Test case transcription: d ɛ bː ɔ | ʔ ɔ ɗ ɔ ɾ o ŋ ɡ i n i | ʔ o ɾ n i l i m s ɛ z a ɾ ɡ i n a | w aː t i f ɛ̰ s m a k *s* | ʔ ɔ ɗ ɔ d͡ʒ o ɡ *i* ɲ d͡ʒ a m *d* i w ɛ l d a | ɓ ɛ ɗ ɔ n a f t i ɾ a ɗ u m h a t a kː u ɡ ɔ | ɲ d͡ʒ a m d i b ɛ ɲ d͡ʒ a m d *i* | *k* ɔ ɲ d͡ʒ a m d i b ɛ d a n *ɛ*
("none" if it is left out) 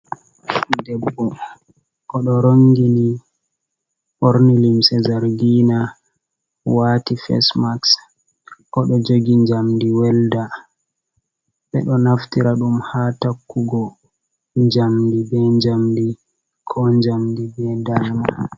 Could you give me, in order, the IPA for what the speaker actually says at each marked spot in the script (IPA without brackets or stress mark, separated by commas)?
s, i, d, i, kʰ, a